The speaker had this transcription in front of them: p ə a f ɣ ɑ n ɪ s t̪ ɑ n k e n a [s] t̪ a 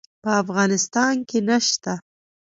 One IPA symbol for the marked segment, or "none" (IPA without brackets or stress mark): ʃ